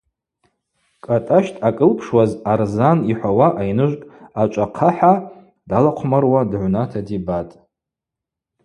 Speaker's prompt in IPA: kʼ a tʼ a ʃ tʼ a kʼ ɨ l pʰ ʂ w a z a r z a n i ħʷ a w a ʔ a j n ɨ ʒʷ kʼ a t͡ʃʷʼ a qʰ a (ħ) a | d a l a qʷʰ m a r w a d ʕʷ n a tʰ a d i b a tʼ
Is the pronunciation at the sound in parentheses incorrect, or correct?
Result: correct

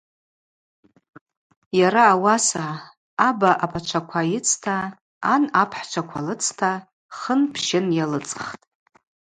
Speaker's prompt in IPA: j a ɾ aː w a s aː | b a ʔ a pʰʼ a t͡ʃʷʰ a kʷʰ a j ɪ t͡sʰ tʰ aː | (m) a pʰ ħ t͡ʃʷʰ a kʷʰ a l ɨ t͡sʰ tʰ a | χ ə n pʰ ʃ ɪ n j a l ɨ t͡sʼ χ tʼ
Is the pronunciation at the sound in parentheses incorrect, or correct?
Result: incorrect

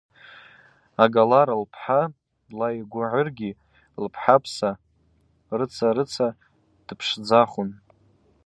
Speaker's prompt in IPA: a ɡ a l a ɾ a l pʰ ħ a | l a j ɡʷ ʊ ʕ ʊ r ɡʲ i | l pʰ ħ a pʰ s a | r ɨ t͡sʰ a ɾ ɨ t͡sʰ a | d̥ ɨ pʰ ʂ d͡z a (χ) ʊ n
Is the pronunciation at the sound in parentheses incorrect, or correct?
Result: correct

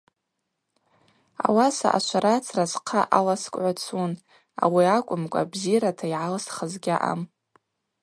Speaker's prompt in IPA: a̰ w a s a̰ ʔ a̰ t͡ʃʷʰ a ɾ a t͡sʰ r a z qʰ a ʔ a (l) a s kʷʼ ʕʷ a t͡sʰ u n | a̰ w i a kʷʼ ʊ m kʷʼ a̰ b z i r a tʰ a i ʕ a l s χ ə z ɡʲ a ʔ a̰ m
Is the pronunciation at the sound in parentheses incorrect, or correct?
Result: correct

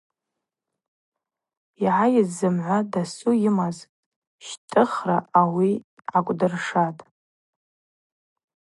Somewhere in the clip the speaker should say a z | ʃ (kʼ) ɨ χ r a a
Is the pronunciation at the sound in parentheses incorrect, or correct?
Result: incorrect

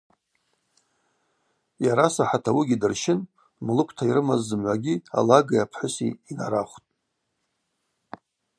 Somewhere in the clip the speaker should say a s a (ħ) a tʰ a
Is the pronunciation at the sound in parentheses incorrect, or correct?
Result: correct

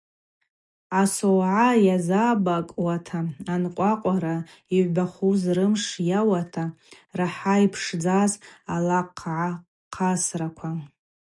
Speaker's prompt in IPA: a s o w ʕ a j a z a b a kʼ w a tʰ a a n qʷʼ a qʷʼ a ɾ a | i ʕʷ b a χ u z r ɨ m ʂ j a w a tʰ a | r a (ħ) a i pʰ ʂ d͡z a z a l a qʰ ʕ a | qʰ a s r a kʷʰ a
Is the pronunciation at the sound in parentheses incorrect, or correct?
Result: correct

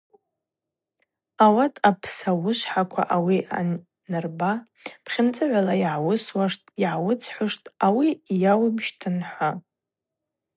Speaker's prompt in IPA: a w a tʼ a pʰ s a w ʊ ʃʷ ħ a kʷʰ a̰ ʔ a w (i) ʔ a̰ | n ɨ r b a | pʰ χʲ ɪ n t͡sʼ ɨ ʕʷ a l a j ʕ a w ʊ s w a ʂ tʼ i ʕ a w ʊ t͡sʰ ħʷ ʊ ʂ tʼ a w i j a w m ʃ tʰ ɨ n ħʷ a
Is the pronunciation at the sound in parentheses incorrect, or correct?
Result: correct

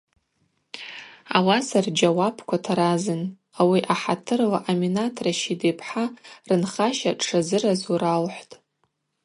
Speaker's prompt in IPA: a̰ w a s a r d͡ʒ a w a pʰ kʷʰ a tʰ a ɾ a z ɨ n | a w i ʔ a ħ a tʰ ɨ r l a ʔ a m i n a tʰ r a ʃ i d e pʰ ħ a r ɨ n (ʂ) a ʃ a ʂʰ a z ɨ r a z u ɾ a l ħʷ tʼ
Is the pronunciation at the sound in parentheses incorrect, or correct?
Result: incorrect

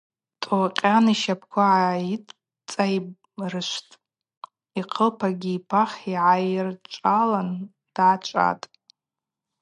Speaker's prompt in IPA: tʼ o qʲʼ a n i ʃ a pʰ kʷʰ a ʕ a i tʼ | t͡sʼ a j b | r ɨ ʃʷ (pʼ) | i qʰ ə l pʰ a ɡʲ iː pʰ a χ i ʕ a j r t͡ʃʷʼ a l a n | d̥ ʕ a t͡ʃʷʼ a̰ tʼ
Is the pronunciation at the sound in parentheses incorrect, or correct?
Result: incorrect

